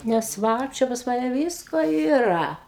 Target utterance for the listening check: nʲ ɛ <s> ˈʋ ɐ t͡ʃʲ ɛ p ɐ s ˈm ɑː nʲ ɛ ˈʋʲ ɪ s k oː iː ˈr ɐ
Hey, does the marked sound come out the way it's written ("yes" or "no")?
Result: yes